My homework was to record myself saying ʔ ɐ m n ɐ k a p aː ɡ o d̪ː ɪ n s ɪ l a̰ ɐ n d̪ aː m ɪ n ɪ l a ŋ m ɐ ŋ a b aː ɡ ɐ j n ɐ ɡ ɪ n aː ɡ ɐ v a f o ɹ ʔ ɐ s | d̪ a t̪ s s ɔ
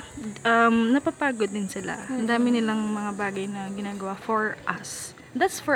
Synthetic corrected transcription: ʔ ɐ m n ɐ p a p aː ɡ o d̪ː ɪ n s ɪ l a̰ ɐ n d̪ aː m ɪ n ɪ l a ŋ m ɐ ŋ a b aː ɡ ɐ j n ɐ ɡ ɪ n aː ɡ ɐ w a f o ɹ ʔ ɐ s | d̪ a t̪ s f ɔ